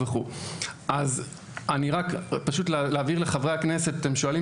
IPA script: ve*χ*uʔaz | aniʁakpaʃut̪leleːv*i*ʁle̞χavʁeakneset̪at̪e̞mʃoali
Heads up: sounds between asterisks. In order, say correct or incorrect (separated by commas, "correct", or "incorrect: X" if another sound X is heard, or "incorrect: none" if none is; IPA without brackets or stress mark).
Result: correct, correct